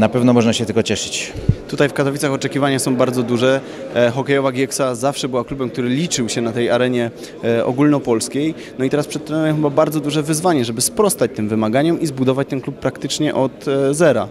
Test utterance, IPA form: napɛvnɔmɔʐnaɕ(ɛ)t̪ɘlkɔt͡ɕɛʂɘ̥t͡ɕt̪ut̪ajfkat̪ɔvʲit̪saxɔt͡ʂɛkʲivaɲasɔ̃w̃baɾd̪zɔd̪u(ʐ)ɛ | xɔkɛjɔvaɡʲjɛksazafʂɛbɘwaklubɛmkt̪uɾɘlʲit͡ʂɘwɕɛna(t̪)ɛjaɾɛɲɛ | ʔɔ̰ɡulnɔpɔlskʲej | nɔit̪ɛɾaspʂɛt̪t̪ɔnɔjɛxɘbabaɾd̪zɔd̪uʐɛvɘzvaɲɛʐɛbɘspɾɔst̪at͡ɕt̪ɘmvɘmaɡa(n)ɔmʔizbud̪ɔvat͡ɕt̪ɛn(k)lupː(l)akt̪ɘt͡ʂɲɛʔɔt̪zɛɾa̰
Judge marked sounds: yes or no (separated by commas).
yes, yes, yes, no, yes, no